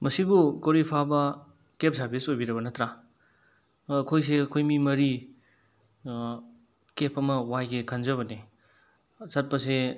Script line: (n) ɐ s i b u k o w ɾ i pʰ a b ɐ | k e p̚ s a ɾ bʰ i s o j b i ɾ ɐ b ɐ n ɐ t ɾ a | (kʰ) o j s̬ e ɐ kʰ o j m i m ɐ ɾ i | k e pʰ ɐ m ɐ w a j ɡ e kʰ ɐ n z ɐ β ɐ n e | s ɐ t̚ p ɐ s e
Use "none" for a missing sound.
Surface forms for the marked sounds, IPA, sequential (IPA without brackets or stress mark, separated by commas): m, kʰ